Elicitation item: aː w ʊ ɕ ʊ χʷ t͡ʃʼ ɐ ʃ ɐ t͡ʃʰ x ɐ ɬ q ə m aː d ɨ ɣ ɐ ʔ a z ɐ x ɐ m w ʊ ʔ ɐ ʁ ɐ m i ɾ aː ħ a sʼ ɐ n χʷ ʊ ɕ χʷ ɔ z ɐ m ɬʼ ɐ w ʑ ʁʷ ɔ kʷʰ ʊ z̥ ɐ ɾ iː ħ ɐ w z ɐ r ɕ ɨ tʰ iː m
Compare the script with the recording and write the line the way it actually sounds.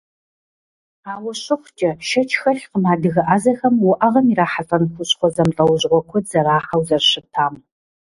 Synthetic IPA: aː w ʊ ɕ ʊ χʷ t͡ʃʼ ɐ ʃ ɐ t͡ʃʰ x ɐ ɬ q ə m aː d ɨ ɣ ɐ ʔ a z ɐ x ɐ m w ʊ ʔ ɐ ʁ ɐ m i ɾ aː ħ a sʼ ɐ n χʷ ʊ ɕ χʷ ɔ z ɐ m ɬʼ ɐ w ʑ ʁʷ ɔ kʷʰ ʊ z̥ ɐ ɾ aː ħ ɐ w z ɐ r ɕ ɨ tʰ aː m

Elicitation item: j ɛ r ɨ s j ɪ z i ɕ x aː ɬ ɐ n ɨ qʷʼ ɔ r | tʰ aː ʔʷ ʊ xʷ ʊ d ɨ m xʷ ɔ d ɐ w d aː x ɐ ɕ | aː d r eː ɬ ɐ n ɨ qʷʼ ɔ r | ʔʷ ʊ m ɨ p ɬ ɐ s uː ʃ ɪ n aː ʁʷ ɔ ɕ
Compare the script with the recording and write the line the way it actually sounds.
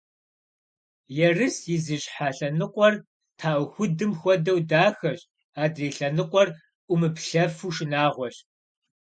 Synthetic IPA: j ɛ r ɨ s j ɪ z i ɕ ħ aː ɬ ɐ n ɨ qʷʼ ɔ r | tʰ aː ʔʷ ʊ xʷ ʊ d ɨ m xʷ ɔ d ɐ w d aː x ɐ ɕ | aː d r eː ɬ ɐ n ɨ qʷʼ ɔ r | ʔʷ ʊ m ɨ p ɬ ɐ f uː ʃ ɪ n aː ʁʷ ɔ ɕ

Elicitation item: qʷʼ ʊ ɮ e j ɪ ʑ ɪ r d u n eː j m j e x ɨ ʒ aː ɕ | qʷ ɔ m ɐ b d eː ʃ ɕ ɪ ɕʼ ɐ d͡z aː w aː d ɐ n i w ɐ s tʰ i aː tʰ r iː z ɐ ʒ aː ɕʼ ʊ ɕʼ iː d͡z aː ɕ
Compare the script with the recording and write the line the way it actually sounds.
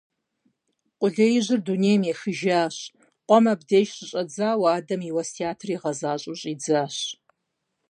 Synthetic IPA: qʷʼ ʊ ɮ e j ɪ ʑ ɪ r d u n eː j m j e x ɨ ʒ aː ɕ | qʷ ɔ m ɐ b d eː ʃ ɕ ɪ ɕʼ ɐ d͡z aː w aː d ɐ m i w ɐ s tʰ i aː tʰ r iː ʁ ɐ z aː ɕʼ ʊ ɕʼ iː d͡z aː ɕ

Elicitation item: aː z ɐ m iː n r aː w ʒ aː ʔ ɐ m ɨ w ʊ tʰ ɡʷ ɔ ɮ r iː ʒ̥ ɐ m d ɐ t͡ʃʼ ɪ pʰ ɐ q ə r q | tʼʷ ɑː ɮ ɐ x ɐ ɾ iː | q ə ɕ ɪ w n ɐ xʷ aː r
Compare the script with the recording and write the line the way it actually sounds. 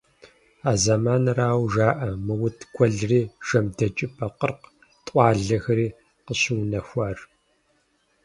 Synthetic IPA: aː z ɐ m aː n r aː w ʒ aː ʔ ɐ m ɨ w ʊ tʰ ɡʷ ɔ ɮ r iː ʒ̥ ɐ m d ɐ t͡ʃʼ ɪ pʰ ɐ q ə r q | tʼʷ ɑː ɮ ɐ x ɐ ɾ iː | q ə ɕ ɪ w n ɐ xʷ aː r

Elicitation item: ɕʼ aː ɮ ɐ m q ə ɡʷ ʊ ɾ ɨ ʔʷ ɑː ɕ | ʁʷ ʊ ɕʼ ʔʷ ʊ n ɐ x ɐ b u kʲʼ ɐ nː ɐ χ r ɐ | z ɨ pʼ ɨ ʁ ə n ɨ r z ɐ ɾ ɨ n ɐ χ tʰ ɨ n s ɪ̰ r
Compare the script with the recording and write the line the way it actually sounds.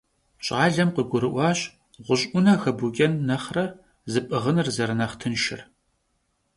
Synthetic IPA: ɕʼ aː ɮ ɐ m q ə ɡʷ ʊ ɾ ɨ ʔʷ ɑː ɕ | ʁʷ ʊ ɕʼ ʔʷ ʊ n ɐ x ɐ b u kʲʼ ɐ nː ɐ χ r ɐ | z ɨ pʼ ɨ ʁ ə n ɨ r z ɐ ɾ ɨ n ɐ χ tʰ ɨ n ʃ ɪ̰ r

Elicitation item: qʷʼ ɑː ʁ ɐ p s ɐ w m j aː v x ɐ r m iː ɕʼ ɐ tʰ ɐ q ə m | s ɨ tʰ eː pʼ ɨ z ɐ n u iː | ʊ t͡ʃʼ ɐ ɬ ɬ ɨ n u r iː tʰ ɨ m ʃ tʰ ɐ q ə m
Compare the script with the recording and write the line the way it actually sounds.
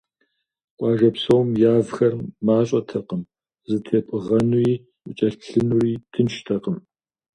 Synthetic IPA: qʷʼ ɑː ʒ ɐ p s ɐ w m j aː v x ɐ r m aː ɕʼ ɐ tʰ ɐ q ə m | z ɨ tʰ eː pʼ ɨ ʁ ɐ n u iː | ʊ t͡ʃʼ ɐ ɬ ɬ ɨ n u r iː tʰ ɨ n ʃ tʰ ɐ q ə m

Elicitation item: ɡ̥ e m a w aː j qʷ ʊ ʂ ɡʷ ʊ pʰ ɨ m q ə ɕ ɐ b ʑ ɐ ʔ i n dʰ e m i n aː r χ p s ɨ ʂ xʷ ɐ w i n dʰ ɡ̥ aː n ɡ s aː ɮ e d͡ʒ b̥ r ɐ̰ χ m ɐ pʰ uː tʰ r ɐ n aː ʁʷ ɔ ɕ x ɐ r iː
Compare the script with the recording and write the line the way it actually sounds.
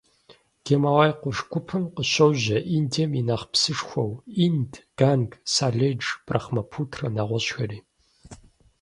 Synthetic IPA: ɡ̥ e m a w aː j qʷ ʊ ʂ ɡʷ ʊ pʰ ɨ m q ə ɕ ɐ w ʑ ɐ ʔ i n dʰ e m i n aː χ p s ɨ ʂ xʷ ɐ w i n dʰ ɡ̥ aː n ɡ s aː ɮ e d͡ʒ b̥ r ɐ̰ χ m ɐ pʰ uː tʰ r ɐ n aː ʁʷ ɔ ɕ x ɐ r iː

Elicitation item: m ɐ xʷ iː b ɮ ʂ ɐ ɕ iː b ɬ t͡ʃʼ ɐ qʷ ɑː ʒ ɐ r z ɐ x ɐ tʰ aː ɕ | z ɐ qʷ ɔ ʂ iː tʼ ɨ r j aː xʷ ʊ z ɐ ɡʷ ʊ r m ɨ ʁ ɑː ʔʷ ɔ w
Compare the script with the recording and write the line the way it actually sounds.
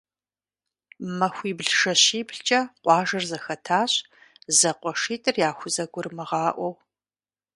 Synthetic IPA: m ɐ xʷ iː b ɮ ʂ ɐ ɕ iː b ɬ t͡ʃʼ ɐ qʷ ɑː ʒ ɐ r z ɐ x ɐ tʰ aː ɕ | z ɐ qʷ ɔ ʂ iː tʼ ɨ r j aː xʷ ʊ z ɐ ɡʷ ʊ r m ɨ ʁ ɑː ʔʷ ɔ w

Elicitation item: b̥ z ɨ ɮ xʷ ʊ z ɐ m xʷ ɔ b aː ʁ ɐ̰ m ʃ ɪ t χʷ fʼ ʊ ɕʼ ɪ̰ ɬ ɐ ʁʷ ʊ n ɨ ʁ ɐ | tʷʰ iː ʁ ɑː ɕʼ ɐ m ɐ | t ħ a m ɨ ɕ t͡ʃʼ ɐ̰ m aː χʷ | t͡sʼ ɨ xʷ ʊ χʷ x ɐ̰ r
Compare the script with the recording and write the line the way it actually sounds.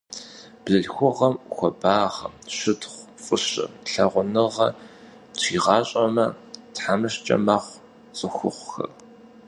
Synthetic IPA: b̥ z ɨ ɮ xʷ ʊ ʁ ɐ m xʷ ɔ b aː ʁ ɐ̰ m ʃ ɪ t χʷ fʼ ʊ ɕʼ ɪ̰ ɬ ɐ ʁʷ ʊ n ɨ ʁ ɐ | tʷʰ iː ʁ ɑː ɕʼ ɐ m ɐ | t ħ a m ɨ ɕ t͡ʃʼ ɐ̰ m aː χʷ | t͡sʼ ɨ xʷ ʊ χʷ x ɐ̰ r

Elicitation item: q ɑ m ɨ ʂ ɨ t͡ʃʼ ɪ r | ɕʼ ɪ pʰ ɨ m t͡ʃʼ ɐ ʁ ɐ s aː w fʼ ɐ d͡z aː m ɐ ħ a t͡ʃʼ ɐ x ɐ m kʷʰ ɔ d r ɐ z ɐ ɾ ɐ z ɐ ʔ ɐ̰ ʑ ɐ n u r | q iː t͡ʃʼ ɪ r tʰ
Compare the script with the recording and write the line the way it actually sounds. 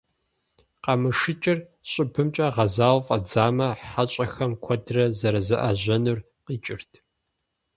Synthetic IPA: q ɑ m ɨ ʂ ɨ t͡ʃʼ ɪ r | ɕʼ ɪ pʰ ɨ m t͡ʃʼ ɐ ʁ ɐ z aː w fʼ ɐ d͡z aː m ɐ ħ a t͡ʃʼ ɐ x ɐ m kʷʰ ɔ d r ɐ z ɐ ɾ ɐ z ɐ ʔ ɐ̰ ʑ ɐ n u r | q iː t͡ʃʼ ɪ r tʰ

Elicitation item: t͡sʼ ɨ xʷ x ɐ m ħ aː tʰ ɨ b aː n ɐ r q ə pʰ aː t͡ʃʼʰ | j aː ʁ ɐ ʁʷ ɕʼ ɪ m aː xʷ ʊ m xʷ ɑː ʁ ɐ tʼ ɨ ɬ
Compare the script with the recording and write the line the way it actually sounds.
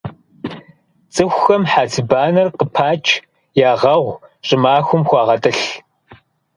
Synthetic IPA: t͡sʼ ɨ xʷ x ɐ m ħ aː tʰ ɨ b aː n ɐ r q ə pʰ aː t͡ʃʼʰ | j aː ʁ ɐ ʁʷ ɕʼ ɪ m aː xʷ ʊ m xʷ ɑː ʁ ɐ tʼ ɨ ɬ

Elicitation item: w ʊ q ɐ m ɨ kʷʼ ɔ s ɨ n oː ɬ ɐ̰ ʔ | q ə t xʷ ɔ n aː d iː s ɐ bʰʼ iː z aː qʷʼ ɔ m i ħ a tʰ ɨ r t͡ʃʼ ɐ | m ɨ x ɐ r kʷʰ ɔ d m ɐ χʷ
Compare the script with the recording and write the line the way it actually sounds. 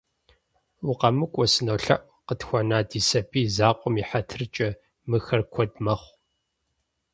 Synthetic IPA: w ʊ q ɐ m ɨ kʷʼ ɔ s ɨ n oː ɬ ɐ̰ ʔ | q ə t xʷ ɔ n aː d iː s ɐ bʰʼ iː z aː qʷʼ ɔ m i ħ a tʰ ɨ r t͡ʃʼ ɐ | m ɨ x ɐ r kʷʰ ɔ d m ɐ χʷ

